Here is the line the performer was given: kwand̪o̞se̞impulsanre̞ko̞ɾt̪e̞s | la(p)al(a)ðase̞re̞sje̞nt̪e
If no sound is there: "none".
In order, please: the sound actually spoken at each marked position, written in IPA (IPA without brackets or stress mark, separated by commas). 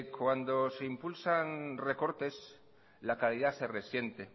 k, i